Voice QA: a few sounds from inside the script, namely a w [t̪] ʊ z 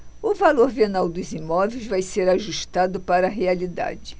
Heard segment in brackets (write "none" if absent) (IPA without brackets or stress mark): d̪